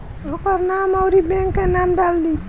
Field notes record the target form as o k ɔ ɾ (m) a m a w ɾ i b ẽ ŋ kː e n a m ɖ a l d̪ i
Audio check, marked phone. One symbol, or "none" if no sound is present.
n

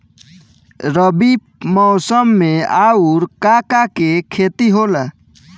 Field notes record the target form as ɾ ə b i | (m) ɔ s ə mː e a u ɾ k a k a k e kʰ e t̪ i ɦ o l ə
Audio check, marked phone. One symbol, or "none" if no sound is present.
m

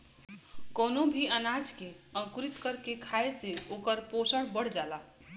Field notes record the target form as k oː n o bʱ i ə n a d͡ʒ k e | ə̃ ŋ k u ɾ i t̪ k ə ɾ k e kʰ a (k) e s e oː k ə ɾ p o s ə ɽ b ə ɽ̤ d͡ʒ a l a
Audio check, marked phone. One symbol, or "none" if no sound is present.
none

